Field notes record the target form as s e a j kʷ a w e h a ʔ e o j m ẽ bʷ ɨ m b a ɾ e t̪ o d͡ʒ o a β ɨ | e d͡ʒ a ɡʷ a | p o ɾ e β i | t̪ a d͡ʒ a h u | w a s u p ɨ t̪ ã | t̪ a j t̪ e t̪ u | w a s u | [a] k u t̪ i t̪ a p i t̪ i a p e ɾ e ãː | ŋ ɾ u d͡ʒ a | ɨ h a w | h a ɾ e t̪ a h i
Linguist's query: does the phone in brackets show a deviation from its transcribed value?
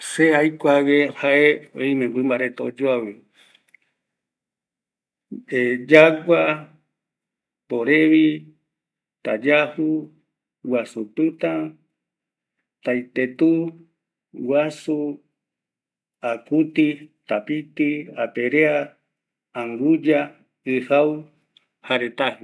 no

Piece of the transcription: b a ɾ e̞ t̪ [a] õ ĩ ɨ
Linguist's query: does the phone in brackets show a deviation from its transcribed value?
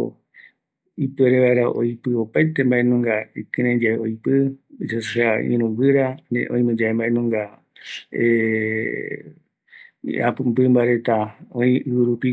no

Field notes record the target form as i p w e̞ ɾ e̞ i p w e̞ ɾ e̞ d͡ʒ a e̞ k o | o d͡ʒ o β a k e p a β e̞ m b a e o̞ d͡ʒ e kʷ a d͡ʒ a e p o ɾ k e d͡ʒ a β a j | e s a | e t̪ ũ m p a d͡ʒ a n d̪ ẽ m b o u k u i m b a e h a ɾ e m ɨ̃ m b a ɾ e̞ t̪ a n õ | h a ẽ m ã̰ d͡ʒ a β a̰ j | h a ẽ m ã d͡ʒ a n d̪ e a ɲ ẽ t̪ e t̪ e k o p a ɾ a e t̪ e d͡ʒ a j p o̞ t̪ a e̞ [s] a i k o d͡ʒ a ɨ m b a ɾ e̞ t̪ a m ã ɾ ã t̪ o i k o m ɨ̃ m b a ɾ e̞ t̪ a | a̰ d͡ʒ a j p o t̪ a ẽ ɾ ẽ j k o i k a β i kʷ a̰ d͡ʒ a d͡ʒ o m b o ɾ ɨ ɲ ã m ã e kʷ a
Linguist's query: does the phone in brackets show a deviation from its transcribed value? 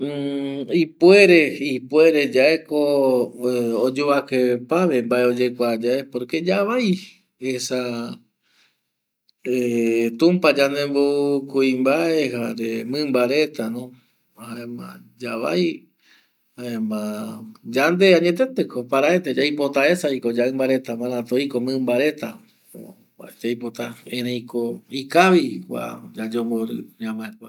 no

